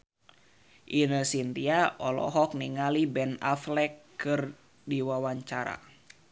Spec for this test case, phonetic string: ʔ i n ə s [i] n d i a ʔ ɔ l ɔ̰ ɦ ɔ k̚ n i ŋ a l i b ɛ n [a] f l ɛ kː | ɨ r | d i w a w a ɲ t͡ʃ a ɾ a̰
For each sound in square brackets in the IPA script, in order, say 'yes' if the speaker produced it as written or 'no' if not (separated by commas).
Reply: yes, yes